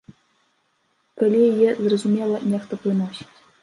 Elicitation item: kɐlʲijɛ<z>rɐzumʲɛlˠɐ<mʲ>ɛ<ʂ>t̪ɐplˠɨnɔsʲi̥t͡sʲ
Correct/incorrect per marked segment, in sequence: correct, incorrect: nʲ, incorrect: x

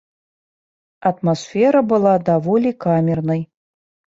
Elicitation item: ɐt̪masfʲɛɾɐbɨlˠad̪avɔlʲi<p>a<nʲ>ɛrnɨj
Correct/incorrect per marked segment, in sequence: incorrect: k, incorrect: mʲ

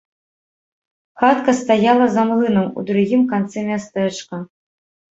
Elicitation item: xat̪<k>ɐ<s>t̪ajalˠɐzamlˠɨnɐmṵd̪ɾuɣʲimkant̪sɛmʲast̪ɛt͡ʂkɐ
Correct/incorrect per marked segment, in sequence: correct, correct

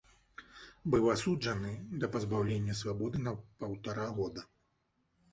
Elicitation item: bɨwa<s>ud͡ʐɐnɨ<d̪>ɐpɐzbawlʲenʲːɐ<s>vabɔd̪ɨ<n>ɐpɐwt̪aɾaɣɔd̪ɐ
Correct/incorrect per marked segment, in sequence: correct, correct, correct, correct

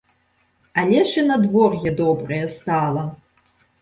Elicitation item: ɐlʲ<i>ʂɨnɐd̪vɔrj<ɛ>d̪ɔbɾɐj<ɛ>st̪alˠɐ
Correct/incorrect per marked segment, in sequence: incorrect: ɛ, correct, correct

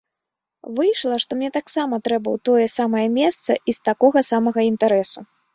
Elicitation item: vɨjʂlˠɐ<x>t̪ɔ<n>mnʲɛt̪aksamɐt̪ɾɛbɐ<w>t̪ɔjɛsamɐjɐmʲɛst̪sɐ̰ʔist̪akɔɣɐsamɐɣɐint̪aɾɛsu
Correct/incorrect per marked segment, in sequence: incorrect: ʂ, incorrect: none, correct

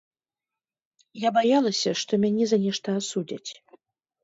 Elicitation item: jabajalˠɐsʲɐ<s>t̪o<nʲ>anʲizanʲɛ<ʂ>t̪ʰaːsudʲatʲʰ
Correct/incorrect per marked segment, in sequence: incorrect: ʂ, incorrect: mʲ, correct

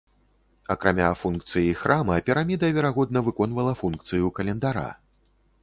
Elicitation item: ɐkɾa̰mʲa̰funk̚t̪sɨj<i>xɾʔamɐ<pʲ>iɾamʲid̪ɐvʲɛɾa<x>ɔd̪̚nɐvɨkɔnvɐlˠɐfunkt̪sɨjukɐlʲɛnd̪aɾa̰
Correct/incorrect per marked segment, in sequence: correct, correct, incorrect: ɣ

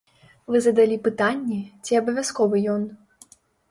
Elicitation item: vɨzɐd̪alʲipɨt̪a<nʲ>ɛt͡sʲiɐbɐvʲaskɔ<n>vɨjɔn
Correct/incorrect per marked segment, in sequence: incorrect: nʲː, incorrect: none

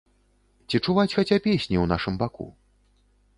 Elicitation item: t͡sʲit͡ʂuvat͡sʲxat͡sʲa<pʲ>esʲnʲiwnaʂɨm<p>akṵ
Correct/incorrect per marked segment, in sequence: correct, incorrect: b

